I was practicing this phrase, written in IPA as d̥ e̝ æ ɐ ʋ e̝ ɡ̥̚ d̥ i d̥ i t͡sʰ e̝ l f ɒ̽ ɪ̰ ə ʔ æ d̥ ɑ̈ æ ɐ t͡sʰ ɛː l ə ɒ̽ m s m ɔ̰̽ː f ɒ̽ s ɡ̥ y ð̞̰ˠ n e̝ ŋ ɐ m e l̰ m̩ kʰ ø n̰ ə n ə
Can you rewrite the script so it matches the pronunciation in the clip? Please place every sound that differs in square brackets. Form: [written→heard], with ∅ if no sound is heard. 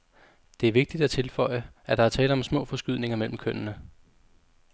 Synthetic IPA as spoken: d̥ e̝ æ ɐ ʋ e̝ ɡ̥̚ d̥ i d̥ [i→æ] t͡sʰ e̝ l f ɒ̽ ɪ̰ ə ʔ æ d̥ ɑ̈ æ ɐ t͡sʰ ɛː l ə ɒ̽ m s m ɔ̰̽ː f ɒ̽ s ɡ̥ y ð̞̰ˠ n e̝ ŋ ɐ m e l̰ m̩ kʰ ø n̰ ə n ə